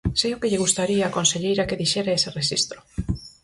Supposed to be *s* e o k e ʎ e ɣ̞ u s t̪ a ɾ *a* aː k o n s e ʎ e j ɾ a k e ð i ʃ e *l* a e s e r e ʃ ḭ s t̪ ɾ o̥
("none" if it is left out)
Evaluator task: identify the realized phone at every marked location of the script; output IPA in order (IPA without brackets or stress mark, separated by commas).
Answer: s, i, ɾ